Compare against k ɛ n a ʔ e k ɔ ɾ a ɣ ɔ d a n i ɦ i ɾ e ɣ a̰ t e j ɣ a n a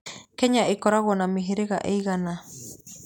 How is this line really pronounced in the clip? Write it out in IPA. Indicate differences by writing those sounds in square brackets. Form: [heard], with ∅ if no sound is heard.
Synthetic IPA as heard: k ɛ [ɲ] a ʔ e k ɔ ɾ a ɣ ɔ [n] a [m] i ɦ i ɾ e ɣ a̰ [ʔ] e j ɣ a n a